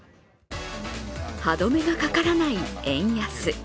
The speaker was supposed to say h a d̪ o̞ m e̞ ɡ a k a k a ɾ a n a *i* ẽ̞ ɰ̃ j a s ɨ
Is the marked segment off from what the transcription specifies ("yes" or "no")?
no